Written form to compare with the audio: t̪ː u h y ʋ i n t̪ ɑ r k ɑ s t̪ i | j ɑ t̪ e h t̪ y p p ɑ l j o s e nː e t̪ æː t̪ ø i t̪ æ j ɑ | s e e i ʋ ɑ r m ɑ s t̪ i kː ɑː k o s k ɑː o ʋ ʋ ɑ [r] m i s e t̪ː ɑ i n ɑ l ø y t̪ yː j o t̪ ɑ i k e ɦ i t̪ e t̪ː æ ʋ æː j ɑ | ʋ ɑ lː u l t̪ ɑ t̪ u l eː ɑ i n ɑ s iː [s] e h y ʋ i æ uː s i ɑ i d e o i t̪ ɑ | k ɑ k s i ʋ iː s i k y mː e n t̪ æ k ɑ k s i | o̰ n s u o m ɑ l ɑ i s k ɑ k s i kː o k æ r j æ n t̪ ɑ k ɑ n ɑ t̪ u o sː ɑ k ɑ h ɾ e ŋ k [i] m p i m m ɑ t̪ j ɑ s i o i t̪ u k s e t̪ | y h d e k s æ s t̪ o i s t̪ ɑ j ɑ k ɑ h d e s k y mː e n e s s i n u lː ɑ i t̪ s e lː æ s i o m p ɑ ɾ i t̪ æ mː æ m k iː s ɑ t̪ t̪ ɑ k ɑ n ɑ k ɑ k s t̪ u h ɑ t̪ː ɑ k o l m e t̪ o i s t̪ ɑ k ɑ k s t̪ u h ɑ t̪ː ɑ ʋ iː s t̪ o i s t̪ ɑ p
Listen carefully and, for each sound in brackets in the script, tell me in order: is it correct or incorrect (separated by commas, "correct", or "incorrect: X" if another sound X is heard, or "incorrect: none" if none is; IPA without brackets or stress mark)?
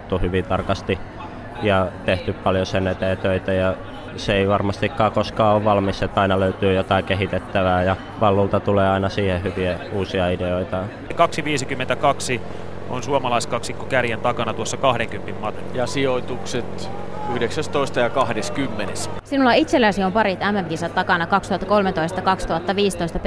incorrect: l, incorrect: h, incorrect: y